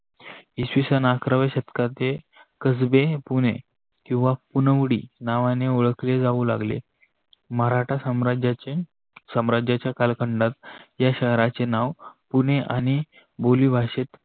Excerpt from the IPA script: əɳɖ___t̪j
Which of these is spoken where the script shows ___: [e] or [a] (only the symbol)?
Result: a